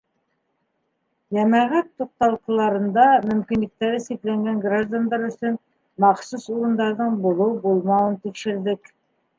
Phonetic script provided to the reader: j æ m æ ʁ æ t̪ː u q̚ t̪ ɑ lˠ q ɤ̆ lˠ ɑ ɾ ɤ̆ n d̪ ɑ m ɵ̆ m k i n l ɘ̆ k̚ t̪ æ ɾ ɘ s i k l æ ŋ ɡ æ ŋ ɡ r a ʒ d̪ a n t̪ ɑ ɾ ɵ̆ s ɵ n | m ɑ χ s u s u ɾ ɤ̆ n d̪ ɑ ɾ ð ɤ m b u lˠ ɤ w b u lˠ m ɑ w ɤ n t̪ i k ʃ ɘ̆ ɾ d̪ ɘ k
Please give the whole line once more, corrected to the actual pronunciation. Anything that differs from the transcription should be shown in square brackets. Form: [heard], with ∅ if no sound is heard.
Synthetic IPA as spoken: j æ m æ ʁ æ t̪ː u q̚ t̪ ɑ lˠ q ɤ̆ lˠ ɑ ɾ ɤ̆ n d̪ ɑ m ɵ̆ m k i n l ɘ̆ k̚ t̪ æ ɾ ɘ s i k l æ ŋ ɡ æ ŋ ɡ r a ʒ d̪ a n [d̪] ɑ ɾ ɵ̆ s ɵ n | m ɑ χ s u s u ɾ ɤ̆ n d̪ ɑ ɾ ð ɤ [ɴ] b u lˠ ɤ w b u lˠ m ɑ w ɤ n t̪ i k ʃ ɘ̆ ɾ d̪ ɘ k